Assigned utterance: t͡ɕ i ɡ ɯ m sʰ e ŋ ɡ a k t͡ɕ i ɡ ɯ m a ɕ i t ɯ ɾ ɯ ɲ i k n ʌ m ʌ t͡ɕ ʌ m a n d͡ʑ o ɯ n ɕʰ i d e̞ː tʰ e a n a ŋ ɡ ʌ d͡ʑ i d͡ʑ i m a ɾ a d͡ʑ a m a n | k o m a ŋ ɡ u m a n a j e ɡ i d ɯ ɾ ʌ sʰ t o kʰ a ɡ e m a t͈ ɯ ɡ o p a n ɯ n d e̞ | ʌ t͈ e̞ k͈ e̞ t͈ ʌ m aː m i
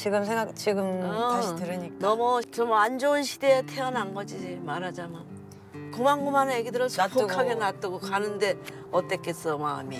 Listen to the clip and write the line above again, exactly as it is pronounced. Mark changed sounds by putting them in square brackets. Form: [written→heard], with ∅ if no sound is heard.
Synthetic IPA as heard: t͡ɕ i ɡ ɯ m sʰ e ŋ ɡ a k t͡ɕ i ɡ ɯ m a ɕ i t ɯ ɾ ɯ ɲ i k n ʌ m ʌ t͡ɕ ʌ m a n d͡ʑ o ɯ n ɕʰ i d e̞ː tʰ e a n a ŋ ɡ ʌ d͡ʑ i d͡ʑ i m a ɾ a d͡ʑ a m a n | k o m a ŋ ɡ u m a n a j e ɡ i d ɯ ɾ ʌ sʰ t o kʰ a ɡ e [m→n] a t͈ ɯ ɡ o [p→k] a n ɯ n d e̞ | ʌ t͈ e̞ k͈ e̞ [t͈→s͈] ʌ m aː m i

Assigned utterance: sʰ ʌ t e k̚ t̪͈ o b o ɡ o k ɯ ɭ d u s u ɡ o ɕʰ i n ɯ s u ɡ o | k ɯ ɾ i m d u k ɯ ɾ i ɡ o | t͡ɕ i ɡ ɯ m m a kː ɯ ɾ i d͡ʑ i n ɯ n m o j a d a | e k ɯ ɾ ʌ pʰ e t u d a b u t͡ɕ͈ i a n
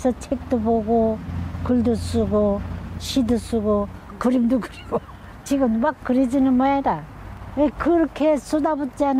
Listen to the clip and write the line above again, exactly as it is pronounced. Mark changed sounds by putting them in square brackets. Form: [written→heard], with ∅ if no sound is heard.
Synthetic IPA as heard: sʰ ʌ [t→t͡ɕʰ] e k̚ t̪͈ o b o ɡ o k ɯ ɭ d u s u ɡ o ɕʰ i [n→d] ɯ s u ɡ o | k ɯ ɾ i m d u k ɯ ɾ i ɡ o | t͡ɕ i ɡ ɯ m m a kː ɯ ɾ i d͡ʑ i n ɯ n m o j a d a | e k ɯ ɾ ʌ [pʰ→kʰ] e [t→s] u d a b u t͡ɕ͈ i a n

